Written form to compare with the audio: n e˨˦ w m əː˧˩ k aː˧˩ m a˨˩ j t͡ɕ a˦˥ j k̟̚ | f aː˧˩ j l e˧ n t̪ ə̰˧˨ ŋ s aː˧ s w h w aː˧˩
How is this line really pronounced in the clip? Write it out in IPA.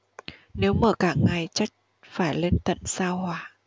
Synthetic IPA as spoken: n e˨˦ w m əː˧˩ k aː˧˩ ŋ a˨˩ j t͡ɕ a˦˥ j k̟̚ | f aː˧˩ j l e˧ n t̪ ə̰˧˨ n s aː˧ w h w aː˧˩